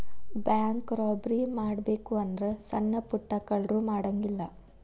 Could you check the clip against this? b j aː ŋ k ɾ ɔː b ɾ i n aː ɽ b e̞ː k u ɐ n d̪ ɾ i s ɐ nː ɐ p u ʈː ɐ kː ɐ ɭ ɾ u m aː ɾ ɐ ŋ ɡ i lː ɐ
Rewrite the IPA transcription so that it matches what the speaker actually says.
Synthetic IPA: b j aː ŋ k ɾ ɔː b ɾ i m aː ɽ b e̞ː k u ɐ n d̪ ɾ e s ɐ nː ɐ p u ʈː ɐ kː ɐ ɭ ɾ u m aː ɽ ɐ ŋ ɡ i lː ɐ